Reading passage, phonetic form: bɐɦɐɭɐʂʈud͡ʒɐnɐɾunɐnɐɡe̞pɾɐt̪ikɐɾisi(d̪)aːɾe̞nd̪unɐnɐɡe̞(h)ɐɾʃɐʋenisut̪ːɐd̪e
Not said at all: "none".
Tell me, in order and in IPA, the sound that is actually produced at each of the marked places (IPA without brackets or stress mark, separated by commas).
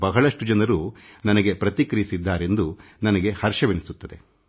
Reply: d̪ː, h